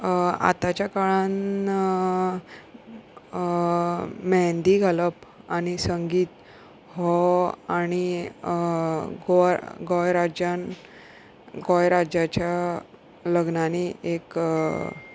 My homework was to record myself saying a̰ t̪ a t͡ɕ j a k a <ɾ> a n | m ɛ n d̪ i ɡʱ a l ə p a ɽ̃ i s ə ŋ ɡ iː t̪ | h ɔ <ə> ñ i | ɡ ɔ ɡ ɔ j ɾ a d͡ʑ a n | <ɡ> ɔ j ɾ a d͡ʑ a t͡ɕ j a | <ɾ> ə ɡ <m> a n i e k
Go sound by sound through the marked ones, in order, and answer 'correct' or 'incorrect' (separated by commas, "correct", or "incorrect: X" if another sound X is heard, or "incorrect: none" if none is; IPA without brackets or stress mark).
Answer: incorrect: ɭ, incorrect: a, correct, incorrect: l, incorrect: n